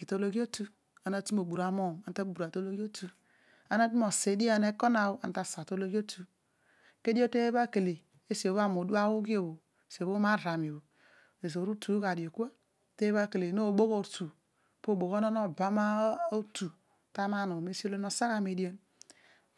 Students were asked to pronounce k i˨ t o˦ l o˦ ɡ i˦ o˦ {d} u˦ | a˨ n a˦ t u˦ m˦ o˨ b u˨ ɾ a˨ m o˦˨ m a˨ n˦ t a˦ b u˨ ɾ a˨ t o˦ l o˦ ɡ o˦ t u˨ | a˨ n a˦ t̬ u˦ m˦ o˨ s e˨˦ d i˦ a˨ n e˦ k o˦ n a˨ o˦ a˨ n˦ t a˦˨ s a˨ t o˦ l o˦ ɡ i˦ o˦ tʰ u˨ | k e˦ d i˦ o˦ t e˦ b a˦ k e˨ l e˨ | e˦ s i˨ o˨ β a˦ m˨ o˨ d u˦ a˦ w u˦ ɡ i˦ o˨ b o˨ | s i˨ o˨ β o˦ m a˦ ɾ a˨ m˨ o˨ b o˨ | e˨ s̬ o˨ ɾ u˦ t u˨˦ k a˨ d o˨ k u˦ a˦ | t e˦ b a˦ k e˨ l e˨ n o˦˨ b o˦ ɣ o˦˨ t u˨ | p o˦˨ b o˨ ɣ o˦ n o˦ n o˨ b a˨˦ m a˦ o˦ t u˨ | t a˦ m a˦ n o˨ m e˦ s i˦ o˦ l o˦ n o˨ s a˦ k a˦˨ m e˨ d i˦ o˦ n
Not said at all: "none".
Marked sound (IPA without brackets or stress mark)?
t